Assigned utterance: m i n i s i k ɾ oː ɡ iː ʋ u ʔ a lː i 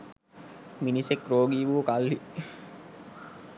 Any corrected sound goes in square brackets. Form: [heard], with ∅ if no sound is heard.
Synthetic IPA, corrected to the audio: m i n i s [e] k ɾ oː ɡ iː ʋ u [k] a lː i